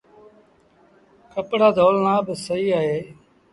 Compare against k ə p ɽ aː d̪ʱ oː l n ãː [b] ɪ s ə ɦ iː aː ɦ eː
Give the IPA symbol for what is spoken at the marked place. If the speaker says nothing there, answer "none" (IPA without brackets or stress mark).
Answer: b